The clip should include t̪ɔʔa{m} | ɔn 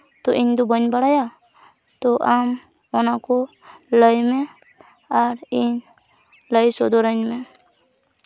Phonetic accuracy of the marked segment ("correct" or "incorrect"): correct